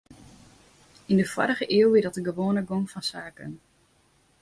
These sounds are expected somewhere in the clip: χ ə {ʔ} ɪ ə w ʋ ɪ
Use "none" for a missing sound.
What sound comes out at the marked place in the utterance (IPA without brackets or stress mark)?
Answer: ʔ